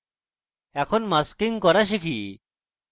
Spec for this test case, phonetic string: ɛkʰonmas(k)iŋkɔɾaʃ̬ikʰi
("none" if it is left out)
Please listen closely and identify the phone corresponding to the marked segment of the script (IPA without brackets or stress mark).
k